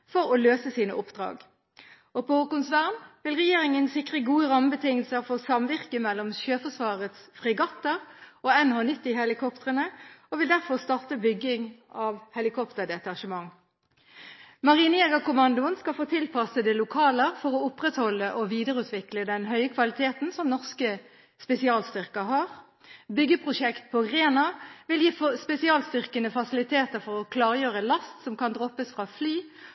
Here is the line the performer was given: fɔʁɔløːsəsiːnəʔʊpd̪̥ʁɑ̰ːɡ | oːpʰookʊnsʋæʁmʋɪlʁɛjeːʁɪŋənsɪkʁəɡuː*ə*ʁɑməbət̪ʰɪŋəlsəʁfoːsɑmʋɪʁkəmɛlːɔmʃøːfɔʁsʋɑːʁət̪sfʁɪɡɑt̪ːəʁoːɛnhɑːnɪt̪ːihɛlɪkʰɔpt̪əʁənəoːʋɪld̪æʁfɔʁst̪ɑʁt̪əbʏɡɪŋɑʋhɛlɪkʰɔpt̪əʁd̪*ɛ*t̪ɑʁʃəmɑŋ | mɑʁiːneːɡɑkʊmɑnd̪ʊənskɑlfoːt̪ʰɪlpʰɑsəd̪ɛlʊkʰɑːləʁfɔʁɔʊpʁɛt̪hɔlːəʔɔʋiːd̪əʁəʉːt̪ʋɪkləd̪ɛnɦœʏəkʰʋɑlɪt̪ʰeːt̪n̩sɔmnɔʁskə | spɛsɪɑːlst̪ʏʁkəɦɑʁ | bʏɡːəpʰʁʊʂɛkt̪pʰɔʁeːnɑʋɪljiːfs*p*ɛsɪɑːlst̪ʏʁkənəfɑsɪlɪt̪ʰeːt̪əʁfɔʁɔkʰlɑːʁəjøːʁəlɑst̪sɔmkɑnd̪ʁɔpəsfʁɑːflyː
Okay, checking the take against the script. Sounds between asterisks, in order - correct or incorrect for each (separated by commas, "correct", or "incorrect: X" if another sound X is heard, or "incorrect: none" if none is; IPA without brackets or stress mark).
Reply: correct, correct, correct